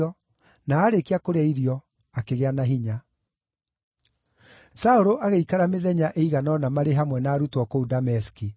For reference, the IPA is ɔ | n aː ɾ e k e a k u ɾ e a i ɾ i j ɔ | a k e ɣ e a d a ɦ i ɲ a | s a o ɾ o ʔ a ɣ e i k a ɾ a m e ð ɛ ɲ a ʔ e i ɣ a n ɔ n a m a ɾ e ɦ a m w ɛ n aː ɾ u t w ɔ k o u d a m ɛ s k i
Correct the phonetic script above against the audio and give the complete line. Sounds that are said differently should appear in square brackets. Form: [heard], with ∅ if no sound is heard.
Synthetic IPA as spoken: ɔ | n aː ɾ e k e a k [o] ɾ e a i ɾ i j ɔ | a k e ɣ e a [n] a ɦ i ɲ a | s a o ɾ o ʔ a ɣ e i k a ɾ a m e ð ɛ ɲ a ʔ e i ɣ a n ɔ n a m a ɾ e ɦ a m w ɛ n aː ɾ u t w ɔ k o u d a m ɛ s k i